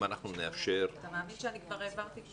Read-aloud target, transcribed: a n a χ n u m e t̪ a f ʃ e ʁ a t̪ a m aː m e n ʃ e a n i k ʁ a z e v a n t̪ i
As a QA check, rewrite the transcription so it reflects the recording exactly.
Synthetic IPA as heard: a n a χ n u n e a f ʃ e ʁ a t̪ a m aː m i n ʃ e a n i k v a ʁ e v a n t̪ i